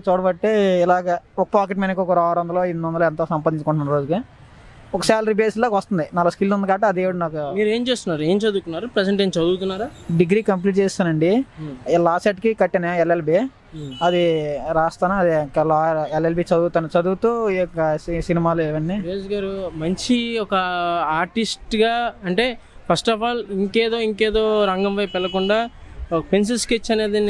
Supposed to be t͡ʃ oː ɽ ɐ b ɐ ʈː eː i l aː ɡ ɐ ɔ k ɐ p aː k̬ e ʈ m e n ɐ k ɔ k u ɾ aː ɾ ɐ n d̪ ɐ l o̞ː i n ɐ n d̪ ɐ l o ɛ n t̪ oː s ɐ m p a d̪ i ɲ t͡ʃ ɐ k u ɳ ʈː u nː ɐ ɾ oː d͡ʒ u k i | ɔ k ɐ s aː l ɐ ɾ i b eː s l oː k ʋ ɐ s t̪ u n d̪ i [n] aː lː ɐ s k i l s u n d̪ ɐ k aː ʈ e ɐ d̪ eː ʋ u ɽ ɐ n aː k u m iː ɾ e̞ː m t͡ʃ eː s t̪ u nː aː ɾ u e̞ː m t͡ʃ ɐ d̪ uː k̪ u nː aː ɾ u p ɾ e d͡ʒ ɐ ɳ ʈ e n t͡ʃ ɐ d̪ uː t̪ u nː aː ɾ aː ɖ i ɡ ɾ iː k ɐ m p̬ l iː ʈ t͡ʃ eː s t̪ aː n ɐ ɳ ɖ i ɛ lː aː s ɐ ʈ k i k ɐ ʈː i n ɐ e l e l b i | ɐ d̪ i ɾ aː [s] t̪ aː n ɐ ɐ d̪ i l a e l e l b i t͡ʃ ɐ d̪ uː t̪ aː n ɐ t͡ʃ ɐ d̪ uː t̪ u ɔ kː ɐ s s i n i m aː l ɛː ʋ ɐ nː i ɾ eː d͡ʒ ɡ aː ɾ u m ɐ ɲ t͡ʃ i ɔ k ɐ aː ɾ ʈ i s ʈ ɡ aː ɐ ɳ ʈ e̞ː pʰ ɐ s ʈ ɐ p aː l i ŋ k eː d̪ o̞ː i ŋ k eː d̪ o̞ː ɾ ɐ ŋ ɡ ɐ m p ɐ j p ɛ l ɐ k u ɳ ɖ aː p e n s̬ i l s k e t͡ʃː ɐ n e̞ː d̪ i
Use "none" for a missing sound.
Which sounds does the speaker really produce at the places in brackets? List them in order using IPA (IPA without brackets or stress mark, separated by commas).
n, s